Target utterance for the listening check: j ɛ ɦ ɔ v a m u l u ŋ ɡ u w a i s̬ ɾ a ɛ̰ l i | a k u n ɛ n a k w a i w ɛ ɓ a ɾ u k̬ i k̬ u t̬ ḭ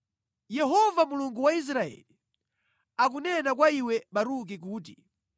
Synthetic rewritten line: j ɛ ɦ ɔ v a m u l u ŋ ɡ u w a i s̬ ɾ a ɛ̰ l i | a k u n ɛ n a k w a i w ɛ ɓ a ɾ u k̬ i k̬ uː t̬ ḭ